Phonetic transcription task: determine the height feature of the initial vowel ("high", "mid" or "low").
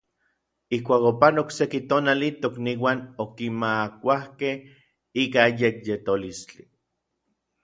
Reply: high